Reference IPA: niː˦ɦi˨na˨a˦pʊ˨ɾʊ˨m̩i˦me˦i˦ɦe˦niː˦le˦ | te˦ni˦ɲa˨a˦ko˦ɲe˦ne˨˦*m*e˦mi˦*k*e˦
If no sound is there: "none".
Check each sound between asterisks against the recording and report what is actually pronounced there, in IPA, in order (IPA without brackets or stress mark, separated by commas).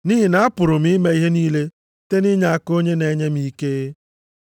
ɲ, k